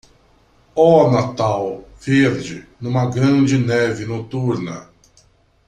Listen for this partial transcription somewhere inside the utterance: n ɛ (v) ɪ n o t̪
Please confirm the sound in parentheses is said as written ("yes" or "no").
yes